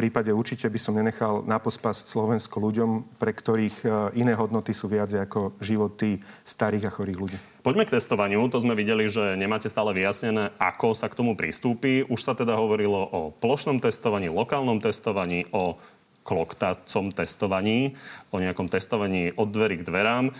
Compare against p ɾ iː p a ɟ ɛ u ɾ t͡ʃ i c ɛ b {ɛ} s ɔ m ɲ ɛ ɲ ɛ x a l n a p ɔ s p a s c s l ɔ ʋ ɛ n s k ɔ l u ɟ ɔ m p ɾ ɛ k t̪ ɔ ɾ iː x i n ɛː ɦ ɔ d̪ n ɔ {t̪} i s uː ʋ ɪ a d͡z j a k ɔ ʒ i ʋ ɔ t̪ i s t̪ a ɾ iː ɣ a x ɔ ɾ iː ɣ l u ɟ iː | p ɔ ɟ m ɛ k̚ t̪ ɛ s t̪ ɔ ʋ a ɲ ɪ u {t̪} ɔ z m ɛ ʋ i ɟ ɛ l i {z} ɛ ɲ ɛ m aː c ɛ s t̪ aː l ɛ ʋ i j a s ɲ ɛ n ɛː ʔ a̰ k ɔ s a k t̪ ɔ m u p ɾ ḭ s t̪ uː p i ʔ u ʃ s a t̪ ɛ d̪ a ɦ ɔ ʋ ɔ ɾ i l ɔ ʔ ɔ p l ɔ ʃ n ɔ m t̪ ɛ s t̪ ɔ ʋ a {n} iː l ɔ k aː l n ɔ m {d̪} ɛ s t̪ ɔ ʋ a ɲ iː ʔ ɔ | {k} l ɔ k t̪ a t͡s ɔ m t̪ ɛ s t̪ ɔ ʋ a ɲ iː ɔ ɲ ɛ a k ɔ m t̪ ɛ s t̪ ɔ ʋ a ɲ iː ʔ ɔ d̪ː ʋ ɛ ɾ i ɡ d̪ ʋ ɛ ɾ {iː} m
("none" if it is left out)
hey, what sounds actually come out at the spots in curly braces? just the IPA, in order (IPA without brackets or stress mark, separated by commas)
i, t̪, t̪, ʒ, ɲ, t̪, k, aː